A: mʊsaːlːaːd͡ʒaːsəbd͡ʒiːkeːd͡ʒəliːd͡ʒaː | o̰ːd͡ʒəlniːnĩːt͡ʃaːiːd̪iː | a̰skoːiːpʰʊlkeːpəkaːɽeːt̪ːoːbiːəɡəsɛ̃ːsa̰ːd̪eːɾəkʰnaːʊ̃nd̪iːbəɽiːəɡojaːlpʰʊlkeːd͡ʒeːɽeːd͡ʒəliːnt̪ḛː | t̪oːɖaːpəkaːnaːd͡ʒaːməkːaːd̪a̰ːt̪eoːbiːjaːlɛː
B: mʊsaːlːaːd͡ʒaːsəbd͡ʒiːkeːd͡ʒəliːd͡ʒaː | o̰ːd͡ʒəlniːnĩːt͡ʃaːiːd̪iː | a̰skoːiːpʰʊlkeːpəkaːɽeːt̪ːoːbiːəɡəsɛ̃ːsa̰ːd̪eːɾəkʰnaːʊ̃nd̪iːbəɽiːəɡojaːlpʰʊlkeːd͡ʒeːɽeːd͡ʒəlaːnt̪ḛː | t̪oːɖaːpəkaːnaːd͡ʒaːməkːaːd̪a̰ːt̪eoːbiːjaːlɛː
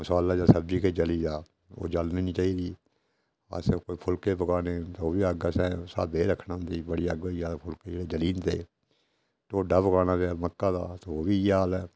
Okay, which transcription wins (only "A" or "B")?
A